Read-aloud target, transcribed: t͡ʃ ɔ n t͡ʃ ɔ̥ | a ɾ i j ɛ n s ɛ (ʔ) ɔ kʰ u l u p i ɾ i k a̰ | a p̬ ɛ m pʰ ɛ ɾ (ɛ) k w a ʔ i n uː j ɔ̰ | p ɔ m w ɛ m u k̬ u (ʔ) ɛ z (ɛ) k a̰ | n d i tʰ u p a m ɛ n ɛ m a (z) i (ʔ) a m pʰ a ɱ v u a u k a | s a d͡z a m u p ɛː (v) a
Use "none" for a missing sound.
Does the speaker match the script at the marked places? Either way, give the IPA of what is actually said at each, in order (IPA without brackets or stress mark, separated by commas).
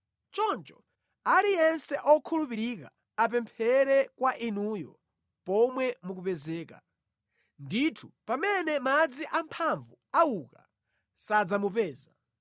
ʔ, ɛ, p, ɛː, d͡z, ʔ, z